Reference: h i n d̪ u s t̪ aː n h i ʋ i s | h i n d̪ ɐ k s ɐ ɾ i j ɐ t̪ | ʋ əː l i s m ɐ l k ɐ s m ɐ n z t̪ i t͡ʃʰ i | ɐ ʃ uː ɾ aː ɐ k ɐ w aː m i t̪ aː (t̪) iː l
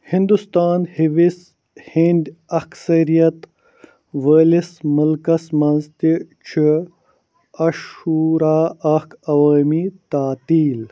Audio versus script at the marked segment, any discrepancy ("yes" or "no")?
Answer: no